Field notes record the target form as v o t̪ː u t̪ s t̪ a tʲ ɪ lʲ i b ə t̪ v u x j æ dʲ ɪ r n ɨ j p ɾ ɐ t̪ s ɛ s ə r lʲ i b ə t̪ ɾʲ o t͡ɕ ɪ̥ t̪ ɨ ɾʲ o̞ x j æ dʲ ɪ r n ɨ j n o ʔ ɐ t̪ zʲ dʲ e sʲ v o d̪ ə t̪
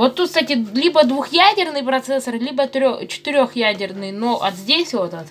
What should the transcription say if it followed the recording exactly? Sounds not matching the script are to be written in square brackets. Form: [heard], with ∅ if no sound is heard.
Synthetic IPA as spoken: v o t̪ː u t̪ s t̪ a tʲ ɪ lʲ i b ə [d̪] v u x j æ dʲ ɪ r n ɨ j p ɾ ɐ t̪ s ɛ s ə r lʲ i b ə t̪ ɾʲ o t͡ɕ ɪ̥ t̪ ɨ ɾʲ o̞ x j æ dʲ ɪ r n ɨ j n o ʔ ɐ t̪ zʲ dʲ e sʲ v o [t̪] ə t̪